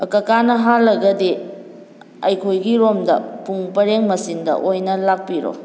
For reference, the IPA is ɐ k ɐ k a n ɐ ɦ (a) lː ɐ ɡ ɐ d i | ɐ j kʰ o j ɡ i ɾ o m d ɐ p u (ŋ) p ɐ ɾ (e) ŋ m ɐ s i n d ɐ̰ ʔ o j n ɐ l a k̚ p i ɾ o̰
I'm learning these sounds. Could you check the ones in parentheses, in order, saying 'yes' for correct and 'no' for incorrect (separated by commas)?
yes, yes, yes